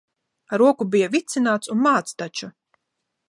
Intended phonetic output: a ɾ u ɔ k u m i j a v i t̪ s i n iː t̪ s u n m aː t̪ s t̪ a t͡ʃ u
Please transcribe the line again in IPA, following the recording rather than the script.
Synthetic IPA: a ɾ u ɔ k u b i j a v i t̪ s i n aː t̪ s u n m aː t̪ s t̪ a t͡ʃ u

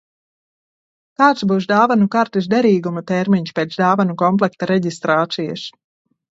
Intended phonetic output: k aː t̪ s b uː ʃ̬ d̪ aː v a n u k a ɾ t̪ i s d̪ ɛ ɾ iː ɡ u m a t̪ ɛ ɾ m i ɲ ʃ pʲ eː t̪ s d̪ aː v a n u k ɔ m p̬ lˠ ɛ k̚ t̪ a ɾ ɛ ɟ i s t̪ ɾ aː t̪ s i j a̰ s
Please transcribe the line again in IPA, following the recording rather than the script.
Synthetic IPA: k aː t̪ s b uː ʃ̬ d̪ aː v a n u k a ɾ t̪ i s d̪ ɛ ɾ iː ɡ u m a t̪ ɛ ɾ m i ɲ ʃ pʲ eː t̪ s d̪ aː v a n u k ɔ m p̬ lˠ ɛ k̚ t̪ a ɾ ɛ ɟ i s t̪ ɾ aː t̪ s i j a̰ s

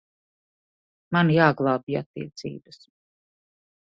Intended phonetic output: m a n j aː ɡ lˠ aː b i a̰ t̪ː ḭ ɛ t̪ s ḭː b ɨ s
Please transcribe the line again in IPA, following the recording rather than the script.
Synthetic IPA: m a n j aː ɡ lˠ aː b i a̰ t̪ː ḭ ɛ t̪ s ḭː b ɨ s

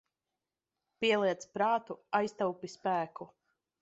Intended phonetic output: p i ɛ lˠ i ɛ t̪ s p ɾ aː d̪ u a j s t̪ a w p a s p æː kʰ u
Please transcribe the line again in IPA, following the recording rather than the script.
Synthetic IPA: p i ɛ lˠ i ɛ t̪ s p ɾ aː t̪ u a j s t̪ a w p i s p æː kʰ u

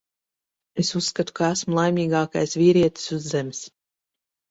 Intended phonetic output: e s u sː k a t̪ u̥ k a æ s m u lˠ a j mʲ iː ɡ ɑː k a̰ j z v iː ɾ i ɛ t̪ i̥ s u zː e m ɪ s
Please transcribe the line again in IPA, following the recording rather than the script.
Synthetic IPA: e s u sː k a t̪ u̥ k a æ s m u lˠ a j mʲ iː ɡ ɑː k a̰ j s v iː ɾ i ɛ t̪ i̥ s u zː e m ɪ s

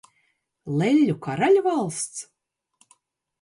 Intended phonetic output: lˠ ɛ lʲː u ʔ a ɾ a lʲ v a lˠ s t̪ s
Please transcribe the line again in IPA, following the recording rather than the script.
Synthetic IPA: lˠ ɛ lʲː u k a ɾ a lʲ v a lˠ s t̪ s

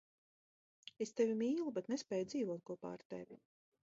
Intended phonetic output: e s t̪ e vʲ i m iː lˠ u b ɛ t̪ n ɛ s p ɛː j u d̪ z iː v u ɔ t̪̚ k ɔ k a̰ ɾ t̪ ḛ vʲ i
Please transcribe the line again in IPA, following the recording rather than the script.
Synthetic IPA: e s t̪ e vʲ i m iː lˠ u b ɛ t̪ n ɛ s p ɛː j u d̪ z iː v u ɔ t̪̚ k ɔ p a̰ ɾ t̪ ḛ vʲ i

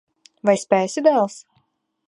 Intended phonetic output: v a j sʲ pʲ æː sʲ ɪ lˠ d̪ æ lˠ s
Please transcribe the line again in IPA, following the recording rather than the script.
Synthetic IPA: v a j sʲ pʲ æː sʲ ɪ d̪ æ lˠ s

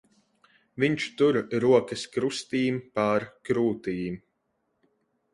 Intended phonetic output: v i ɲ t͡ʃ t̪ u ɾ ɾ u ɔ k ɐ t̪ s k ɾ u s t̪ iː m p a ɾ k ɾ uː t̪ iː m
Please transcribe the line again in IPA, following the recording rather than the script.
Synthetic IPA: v i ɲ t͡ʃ t̪ u ɾ ɾ u ɔ k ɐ s k ɾ u s t̪ iː m p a ɾ k ɾ uː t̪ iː m

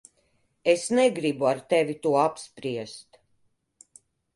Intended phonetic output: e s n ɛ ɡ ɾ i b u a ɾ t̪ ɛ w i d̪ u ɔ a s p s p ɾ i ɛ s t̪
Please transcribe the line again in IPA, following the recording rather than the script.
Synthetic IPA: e s n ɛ ɡ ɾ i b u a ɾ t̪ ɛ v i t̪ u ɔ a p s p ɾ i ɛ s t̪

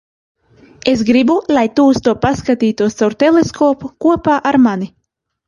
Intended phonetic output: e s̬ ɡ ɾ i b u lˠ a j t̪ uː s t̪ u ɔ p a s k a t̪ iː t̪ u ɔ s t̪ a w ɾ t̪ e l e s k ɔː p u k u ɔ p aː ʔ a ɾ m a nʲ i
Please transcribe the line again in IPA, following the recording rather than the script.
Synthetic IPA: e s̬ ɡ ɾ i b u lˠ a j t̪ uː s t̪ u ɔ p a s k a t̪ iː t̪ u ɔ s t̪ a w ɾ t̪ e l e s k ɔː p u k u ɔ p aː ʔ a ɾ m a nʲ i

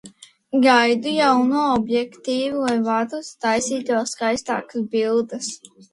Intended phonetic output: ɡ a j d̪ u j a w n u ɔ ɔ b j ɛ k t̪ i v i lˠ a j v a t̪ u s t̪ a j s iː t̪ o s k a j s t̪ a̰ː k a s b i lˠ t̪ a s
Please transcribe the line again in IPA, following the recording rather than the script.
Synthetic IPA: ɡ a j d̪ u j a w n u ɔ ɔ b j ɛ k t̪ iː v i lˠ a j v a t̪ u s t̪ a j s iː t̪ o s k a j s t̪ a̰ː k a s b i lˠ d̪ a s

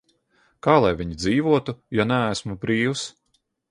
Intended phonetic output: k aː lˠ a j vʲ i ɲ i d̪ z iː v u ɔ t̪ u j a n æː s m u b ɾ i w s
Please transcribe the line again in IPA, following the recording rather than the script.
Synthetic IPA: k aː lˠ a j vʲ i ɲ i d̪ z iː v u ɔ t̪ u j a n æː s m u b ɾ iː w s

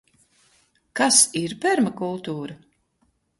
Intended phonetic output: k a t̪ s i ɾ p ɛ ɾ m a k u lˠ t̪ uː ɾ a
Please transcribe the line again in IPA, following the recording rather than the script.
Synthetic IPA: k a s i ɾ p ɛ ɾ m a k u lˠ t̪ uː ɾ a

